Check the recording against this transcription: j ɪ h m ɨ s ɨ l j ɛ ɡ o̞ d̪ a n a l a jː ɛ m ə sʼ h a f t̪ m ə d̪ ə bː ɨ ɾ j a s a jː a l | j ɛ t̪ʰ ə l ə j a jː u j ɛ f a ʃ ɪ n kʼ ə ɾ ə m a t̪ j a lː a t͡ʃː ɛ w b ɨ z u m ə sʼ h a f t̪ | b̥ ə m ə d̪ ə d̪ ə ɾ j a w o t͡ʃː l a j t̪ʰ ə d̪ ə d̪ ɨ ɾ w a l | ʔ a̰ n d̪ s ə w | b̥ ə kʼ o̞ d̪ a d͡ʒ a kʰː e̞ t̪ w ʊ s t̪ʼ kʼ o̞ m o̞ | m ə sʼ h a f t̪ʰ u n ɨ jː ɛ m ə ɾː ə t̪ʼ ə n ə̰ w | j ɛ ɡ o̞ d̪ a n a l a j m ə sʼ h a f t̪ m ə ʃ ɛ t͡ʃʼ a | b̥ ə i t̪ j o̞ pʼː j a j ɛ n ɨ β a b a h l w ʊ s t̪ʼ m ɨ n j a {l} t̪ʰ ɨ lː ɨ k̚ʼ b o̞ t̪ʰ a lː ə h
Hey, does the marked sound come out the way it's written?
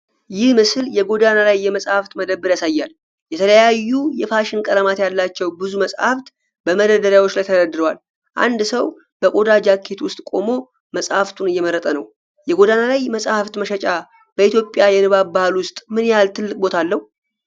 yes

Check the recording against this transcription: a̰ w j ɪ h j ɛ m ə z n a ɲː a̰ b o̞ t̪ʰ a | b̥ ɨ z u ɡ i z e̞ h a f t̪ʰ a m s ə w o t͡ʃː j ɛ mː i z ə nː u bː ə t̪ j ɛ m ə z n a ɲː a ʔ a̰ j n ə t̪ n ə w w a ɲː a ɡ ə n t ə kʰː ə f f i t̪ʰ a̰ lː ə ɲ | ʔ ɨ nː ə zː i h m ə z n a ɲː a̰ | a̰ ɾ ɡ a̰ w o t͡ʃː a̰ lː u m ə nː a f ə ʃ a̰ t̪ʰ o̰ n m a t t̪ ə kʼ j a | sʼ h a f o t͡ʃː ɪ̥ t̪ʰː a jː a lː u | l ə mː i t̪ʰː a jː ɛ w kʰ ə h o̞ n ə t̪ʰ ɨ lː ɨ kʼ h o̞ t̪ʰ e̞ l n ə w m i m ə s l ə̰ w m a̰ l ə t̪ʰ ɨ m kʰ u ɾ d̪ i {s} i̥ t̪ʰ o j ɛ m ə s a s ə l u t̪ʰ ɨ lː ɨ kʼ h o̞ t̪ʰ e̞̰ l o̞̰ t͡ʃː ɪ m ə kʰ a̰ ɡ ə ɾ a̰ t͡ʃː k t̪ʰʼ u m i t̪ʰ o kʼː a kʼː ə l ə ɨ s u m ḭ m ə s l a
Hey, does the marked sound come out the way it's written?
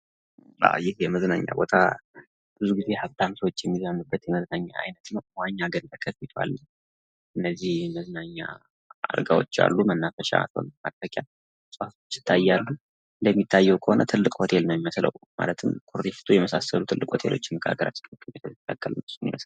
no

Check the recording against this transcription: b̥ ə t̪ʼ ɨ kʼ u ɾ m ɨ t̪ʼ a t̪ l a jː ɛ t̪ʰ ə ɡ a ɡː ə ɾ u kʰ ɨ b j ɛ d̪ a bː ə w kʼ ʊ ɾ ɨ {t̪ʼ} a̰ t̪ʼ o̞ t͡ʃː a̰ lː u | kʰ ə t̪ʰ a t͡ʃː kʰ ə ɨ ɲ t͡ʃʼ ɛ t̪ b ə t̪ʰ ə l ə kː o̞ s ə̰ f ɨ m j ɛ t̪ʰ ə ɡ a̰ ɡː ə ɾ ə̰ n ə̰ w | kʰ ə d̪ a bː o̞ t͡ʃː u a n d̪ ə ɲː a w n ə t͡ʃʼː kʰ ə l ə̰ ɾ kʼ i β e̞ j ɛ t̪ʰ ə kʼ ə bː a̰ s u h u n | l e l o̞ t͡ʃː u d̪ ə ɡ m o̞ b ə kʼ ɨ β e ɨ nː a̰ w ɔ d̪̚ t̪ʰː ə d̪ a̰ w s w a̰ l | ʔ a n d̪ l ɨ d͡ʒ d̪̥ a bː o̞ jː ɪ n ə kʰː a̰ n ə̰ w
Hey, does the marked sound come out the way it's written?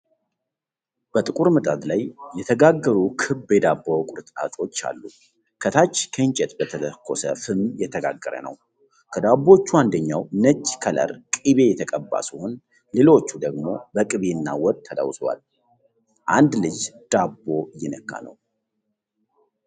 yes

